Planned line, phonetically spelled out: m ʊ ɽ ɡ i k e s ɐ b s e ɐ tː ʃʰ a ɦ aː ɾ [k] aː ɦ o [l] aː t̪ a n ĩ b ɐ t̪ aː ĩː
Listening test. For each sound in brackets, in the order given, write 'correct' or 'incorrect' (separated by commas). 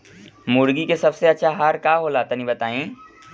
correct, correct